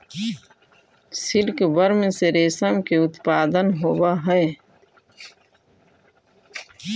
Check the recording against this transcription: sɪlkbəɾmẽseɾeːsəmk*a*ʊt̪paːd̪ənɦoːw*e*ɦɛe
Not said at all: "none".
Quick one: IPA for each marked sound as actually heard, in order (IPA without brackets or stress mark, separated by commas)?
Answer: e, a